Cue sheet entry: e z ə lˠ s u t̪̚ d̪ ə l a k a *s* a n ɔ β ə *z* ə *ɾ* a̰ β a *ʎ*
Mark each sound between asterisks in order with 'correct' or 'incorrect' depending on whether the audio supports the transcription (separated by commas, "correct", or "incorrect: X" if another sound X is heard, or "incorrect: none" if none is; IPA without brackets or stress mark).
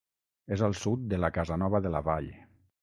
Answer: incorrect: z, incorrect: ð, incorrect: l, correct